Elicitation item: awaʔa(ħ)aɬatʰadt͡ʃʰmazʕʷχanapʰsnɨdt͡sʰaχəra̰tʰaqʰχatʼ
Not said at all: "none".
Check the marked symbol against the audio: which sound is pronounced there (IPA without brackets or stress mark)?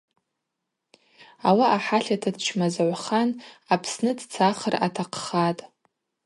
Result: ħ